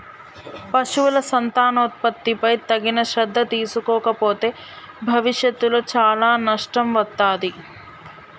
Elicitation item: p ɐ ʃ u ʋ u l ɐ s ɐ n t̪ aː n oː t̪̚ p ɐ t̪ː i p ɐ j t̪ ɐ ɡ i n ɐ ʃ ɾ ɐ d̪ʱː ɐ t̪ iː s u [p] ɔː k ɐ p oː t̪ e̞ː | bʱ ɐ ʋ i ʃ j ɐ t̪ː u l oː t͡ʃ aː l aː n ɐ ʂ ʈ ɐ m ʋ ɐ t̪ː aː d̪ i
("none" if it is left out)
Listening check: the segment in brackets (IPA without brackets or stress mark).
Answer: k